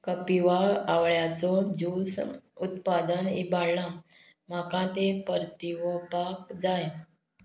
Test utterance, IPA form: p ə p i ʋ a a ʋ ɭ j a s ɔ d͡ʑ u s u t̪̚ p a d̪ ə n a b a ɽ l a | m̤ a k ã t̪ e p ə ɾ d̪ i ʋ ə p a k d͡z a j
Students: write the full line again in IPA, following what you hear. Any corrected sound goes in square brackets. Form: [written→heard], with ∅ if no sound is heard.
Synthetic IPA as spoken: [p→k] ə p i ʋ a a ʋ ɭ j a [s→t͡s] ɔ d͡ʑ u s u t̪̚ p a d̪ ə n [a→i] b a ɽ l a | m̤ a k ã t̪ e p ə ɾ [d̪→t̪] i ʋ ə p a k d͡z a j